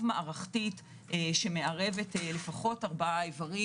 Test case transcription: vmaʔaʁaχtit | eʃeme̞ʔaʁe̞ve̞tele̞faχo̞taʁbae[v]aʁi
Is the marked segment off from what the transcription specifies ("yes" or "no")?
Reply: no